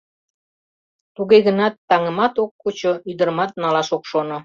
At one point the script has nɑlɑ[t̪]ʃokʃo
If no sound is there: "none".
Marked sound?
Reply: none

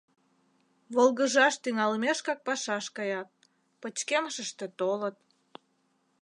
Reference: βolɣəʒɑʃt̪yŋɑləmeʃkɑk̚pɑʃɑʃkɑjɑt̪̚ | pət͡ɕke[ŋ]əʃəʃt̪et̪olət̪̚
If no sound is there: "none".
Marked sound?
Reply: m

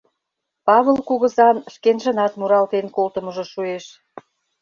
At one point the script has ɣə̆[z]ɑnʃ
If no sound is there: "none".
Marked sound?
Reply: z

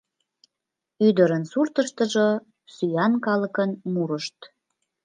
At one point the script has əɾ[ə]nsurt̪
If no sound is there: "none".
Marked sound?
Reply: ə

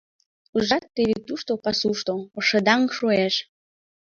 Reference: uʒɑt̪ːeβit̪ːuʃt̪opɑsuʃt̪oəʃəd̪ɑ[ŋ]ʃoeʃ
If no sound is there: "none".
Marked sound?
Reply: ŋ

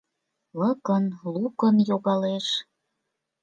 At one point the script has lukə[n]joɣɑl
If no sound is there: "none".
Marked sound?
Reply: n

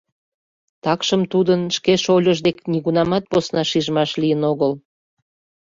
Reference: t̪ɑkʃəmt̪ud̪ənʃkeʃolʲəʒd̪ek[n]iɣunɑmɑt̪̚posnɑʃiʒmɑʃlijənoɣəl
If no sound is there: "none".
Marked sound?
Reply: n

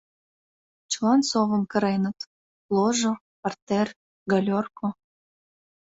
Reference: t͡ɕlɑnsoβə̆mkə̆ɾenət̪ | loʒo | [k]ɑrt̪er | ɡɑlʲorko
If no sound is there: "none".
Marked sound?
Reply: p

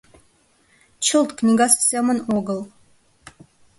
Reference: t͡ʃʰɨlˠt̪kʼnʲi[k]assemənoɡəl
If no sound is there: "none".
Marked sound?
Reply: ɡ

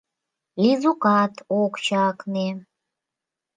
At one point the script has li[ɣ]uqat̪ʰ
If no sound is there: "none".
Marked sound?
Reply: z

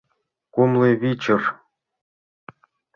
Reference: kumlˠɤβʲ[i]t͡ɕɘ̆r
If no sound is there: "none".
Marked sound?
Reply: i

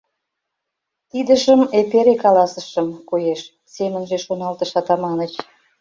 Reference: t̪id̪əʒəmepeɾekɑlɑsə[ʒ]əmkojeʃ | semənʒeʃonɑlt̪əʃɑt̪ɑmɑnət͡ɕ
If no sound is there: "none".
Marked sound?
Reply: ʃ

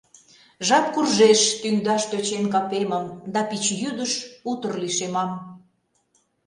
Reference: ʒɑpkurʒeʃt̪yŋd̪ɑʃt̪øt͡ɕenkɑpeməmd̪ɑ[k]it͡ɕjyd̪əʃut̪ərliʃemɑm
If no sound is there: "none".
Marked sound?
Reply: p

